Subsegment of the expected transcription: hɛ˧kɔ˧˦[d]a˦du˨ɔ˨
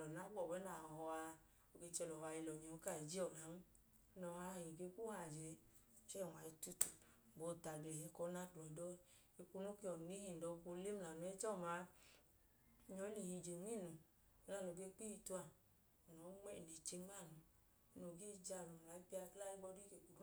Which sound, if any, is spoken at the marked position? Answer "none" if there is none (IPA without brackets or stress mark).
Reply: n